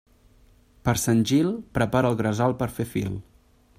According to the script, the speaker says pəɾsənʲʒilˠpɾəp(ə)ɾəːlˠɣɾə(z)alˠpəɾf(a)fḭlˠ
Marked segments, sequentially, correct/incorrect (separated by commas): incorrect, correct, incorrect